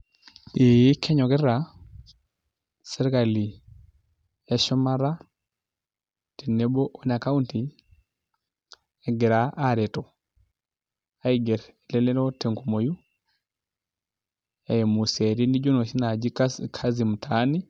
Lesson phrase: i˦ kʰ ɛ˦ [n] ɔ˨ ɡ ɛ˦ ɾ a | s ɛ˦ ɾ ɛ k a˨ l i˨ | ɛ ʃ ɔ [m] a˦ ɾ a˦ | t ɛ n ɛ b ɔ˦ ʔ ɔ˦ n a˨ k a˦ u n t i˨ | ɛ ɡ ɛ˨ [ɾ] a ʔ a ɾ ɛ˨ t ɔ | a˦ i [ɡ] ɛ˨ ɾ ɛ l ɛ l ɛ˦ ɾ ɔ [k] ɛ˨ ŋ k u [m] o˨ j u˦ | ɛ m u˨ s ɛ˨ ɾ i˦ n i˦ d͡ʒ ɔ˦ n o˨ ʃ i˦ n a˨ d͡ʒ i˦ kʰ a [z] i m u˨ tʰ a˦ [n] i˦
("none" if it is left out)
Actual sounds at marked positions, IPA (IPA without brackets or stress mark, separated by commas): ɲ, m, ɾ, ɡ, t, m, z, n